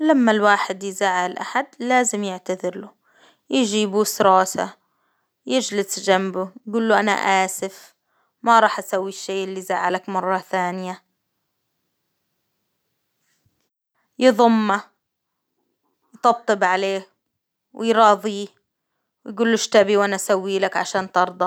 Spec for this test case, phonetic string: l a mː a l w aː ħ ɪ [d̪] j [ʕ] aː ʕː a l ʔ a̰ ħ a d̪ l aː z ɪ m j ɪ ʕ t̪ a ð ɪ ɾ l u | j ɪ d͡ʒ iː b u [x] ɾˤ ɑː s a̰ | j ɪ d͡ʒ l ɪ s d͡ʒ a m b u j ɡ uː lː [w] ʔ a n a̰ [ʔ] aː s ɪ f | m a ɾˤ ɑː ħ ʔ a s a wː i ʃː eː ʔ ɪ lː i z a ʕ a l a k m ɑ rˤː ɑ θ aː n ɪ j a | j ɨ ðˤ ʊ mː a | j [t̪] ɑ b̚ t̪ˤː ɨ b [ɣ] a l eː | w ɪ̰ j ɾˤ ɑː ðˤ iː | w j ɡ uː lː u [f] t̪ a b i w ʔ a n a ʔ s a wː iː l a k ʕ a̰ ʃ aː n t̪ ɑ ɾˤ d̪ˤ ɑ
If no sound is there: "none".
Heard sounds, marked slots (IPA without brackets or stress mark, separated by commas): d̪, z, s, u, ʔ, t̪, ʕ, ʃ